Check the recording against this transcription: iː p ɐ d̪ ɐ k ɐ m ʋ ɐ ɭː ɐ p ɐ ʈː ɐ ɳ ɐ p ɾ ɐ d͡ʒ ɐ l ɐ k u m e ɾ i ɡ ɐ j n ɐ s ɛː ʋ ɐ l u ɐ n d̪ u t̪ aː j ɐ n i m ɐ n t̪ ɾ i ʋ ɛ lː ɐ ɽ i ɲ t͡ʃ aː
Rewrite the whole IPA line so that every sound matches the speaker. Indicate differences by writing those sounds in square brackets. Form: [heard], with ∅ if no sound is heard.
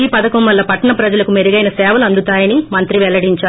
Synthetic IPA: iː p ɐ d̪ ɐ k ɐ m ʋ ɐ [lː] ɐ p ɐ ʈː ɐ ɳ ɐ p ɾ ɐ d͡ʒ ɐ l ɐ k u m e ɾ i ɡ ɐ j n ɐ s ɛː ʋ ɐ l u ɐ n d̪ u t̪ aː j ɐ n i m ɐ n t̪ ɾ i ʋ ɛ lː ɐ ɽ i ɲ t͡ʃ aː